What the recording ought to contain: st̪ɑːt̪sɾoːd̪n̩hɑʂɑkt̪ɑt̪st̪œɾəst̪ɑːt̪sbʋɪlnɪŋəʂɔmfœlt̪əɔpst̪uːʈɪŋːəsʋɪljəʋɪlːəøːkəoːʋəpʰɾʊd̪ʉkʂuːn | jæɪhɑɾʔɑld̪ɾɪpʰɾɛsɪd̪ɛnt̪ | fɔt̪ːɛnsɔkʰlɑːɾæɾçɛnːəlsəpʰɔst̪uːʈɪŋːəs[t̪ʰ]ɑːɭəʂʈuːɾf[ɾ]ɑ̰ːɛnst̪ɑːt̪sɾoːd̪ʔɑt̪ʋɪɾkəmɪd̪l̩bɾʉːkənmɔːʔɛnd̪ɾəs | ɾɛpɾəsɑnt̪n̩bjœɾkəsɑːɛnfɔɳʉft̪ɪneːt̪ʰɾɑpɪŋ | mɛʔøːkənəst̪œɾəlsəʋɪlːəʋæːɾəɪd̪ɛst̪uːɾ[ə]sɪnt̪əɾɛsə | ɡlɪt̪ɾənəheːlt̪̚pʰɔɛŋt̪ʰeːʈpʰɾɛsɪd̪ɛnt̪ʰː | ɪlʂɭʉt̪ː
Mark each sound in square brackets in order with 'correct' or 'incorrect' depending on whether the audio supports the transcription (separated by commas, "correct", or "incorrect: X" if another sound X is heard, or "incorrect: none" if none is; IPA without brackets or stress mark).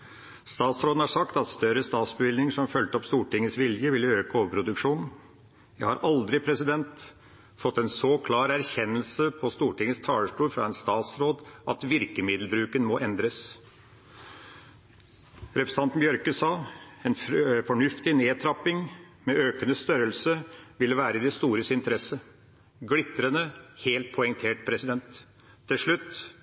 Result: correct, correct, correct